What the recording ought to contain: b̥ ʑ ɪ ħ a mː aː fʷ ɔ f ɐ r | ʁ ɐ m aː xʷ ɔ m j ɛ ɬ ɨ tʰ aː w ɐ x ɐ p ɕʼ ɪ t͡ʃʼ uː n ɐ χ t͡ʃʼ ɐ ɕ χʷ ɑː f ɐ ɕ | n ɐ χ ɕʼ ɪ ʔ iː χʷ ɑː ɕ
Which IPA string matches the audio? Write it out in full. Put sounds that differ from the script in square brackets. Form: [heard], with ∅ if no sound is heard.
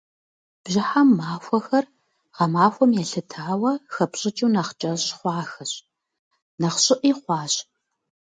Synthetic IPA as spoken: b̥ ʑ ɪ ħ a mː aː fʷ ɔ [x] ɐ r | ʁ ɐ m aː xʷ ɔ m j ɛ ɬ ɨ tʰ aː w ɐ x ɐ p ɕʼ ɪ t͡ʃʼ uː n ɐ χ t͡ʃʼ ɐ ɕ χʷ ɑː [x] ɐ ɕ | n ɐ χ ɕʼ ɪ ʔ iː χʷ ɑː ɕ